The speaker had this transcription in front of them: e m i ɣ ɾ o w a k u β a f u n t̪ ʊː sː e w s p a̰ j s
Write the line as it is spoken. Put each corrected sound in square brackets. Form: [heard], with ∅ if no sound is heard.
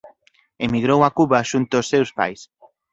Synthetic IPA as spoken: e m i ɣ ɾ o w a k u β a [ʃ] u n t̪ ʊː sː e w s p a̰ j s